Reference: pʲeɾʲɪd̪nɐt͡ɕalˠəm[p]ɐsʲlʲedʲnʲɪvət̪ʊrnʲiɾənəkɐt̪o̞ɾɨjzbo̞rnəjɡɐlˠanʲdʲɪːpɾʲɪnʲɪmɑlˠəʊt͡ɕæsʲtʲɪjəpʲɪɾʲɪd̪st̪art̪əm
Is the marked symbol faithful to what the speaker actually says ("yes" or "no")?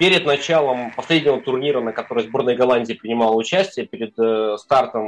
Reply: yes